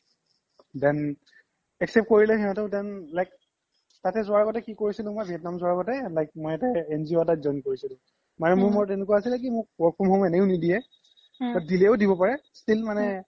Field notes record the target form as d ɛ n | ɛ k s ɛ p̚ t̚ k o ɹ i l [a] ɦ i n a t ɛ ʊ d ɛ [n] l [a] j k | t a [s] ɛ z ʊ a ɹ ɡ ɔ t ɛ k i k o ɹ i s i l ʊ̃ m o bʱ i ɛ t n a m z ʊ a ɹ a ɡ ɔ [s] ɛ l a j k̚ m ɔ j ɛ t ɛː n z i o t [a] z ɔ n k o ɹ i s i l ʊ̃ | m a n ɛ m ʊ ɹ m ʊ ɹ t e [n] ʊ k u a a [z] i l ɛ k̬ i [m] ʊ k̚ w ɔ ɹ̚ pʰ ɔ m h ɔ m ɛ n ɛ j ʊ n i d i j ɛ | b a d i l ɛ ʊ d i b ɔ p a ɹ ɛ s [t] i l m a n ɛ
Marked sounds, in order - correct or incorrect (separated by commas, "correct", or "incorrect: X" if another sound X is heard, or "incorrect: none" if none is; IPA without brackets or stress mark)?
incorrect: ɛ, correct, correct, incorrect: t, incorrect: t, correct, correct, incorrect: s, correct, correct